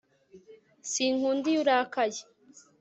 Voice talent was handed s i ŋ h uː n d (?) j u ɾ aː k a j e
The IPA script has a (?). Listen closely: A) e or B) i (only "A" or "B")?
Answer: B